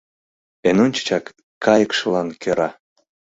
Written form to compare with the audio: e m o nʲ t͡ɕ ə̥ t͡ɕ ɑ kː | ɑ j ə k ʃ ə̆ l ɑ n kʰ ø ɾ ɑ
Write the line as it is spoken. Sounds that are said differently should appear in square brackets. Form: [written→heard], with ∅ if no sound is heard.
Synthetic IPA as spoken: e [m→n] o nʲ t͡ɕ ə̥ t͡ɕ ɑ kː | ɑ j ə k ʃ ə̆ l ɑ n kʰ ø ɾ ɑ

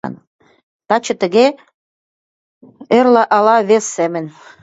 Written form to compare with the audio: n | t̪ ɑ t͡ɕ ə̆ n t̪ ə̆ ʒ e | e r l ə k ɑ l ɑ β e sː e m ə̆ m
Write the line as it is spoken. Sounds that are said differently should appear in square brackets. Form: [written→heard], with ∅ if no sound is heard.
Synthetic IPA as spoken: n | t̪ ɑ t͡ɕ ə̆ [n→∅] t̪ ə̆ [ʒ→ɣ] e | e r l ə [k→ʔ] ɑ l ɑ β e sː e m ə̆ [m→n]

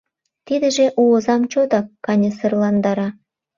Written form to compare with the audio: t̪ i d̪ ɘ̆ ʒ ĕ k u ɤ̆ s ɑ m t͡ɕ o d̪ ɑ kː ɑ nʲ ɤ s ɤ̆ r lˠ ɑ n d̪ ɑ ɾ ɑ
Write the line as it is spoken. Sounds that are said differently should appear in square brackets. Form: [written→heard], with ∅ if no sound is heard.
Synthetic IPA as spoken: t̪ i d̪ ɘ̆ ʒ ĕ [k→ʔ] u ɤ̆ [s→z] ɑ m t͡ɕ o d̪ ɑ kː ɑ nʲ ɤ s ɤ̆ r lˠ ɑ n d̪ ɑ ɾ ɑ

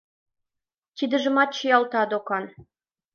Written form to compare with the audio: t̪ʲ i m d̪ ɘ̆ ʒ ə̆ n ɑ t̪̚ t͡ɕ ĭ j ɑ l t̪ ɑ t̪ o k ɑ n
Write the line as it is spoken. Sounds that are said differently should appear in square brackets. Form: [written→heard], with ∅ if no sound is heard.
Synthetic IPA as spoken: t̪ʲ i [m→∅] d̪ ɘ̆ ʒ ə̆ [n→m] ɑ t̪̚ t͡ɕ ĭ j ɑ l t̪ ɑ [t̪→d̪] o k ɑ n

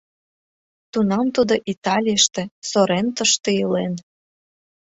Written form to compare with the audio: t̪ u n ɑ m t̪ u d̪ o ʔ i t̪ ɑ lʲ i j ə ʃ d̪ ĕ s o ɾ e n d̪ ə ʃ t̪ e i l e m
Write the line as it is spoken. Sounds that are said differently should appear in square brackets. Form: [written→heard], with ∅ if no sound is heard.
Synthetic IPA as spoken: t̪ u n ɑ m t̪ u d̪ o ʔ i t̪ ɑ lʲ i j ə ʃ [d̪→t̪] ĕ s o ɾ e n [d̪→t̪] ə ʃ t̪ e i l e [m→n]

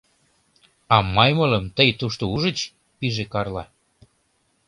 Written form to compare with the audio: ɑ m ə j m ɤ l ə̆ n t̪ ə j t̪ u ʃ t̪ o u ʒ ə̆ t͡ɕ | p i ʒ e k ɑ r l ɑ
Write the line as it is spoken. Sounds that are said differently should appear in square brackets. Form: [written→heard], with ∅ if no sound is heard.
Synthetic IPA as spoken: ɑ m [ə→ɑ] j m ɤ l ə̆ [n→m] t̪ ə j t̪ u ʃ t̪ o u ʒ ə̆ t͡ɕ | p i ʒ e k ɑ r l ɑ

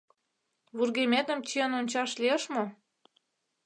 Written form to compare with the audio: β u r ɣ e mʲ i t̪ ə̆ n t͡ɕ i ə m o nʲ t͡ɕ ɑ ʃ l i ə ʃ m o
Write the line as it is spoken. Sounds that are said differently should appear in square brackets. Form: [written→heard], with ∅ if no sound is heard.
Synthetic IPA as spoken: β u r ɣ e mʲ [i→e] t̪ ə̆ [n→m] t͡ɕ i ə [m→n] o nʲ t͡ɕ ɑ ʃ l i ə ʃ m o

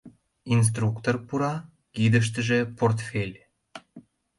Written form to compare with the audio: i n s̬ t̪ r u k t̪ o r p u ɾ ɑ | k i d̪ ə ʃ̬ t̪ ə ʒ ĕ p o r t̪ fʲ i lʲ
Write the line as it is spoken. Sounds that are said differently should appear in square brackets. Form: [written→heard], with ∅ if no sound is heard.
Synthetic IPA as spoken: i n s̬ t̪ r u k t̪ o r p u ɾ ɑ | k i d̪ ə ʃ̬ t̪ ə ʒ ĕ p o r t̪ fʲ [i→e] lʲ

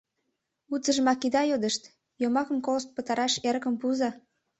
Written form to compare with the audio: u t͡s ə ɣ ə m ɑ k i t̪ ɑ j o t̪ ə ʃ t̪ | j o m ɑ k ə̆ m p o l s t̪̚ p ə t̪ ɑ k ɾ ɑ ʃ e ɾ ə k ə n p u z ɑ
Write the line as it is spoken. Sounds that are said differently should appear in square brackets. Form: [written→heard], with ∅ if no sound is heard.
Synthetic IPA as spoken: u t͡s ə [ɣ→ʒ] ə m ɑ k i [t̪→d̪] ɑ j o [t̪→d̪] ə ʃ t̪ | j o m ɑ k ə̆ m [p→k] o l s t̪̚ p ə t̪ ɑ [k→∅] ɾ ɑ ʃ e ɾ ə k ə [n→m] p u z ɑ

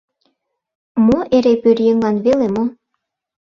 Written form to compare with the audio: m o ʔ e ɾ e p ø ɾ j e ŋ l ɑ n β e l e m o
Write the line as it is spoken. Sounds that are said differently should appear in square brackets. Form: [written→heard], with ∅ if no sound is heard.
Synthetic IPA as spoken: m o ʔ e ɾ e p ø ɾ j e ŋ l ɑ n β e l e m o

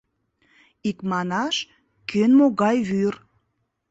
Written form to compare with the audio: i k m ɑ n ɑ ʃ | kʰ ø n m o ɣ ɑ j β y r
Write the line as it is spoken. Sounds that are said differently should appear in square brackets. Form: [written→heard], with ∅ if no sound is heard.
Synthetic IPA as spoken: i k m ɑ n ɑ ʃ | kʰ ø n m o ɣ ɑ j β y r

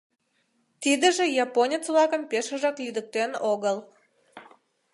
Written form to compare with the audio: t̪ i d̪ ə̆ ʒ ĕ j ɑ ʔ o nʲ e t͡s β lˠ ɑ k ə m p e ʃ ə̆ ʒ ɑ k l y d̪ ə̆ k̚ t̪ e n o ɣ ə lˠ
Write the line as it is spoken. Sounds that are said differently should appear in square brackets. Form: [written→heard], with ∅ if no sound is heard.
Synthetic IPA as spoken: t̪ i d̪ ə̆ ʒ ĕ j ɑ [ʔ→p] o nʲ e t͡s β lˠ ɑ k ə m p e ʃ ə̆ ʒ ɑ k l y d̪ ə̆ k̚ t̪ e n o ɣ ə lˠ

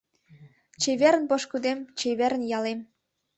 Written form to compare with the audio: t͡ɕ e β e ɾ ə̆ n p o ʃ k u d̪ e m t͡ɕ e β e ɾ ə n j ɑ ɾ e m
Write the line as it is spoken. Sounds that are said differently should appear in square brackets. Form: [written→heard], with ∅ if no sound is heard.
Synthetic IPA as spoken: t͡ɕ e β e ɾ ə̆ n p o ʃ k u d̪ e m t͡ɕ e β e ɾ ə n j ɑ [ɾ→l] e m

